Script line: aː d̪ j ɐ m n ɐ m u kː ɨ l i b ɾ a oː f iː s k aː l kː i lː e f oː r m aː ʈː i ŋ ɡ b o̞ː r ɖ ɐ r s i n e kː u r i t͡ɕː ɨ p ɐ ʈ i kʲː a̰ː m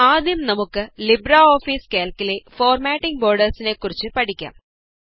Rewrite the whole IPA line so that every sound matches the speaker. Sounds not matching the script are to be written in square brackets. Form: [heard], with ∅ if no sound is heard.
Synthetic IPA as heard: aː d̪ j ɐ m n ɐ m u kː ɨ l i b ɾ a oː f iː s k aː l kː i [l] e f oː r m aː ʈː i ŋ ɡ b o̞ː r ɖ ɐ r s i n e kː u r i t͡ɕː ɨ p ɐ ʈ i kʲː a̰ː m